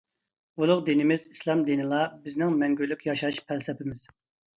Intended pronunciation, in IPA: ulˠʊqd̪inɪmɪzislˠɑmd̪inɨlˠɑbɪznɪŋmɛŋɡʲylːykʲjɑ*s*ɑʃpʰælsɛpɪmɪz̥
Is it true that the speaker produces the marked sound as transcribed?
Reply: no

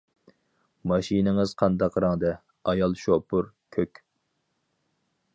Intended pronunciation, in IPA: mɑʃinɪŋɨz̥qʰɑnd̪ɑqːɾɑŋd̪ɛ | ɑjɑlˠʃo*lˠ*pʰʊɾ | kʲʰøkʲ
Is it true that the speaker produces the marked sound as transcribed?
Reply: no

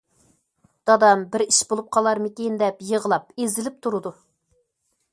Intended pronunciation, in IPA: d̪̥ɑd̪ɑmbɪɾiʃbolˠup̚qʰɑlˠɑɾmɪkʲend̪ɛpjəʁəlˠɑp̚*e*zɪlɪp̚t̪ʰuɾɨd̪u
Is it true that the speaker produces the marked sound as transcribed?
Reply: yes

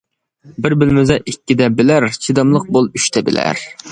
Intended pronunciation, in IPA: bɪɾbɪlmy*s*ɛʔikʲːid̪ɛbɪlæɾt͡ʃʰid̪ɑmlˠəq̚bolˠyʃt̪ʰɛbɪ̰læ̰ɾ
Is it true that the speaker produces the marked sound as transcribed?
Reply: no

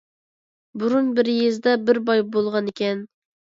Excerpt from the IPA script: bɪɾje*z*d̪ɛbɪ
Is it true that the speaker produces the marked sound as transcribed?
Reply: yes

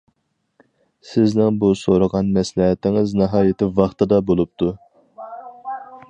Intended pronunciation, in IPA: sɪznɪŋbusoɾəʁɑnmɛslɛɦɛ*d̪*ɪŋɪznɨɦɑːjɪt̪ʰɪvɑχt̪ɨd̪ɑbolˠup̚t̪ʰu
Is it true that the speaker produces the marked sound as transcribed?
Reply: no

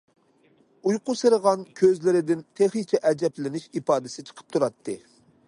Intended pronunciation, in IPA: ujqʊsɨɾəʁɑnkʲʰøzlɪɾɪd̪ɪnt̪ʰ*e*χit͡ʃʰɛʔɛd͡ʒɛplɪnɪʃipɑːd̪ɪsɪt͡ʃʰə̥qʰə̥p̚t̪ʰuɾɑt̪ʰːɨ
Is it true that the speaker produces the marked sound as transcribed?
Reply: yes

